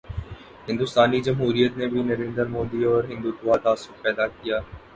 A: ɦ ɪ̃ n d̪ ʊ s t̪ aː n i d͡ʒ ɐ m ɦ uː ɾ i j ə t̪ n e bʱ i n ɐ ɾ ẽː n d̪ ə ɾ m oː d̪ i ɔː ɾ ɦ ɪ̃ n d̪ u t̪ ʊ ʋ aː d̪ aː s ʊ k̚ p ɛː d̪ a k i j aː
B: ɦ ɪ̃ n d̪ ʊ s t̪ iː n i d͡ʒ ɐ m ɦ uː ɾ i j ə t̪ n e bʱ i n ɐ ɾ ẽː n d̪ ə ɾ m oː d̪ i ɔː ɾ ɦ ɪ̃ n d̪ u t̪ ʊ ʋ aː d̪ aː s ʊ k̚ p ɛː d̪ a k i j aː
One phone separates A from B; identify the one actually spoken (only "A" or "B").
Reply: A